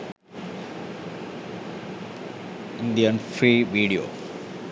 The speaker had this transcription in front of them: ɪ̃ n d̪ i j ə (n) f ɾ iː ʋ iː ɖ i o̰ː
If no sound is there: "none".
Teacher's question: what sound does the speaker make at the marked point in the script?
n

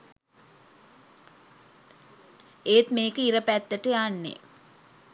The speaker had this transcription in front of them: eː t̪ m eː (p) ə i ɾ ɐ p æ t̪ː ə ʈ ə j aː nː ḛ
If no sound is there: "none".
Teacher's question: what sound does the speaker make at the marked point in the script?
k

